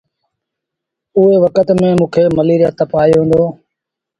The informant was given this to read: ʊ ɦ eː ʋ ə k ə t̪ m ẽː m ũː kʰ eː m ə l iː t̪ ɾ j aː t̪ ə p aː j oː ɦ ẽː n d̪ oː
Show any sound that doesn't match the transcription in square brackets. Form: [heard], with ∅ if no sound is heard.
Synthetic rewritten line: ʊ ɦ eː ʋ ə k ə t̪ m ẽː m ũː kʰ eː m ə l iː [∅] ɾ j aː t̪ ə p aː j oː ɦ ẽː n d̪ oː